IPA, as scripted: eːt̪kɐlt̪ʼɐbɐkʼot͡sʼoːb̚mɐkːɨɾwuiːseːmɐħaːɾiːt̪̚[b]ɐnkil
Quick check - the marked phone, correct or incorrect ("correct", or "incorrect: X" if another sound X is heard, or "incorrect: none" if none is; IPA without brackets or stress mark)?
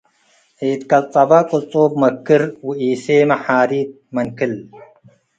incorrect: m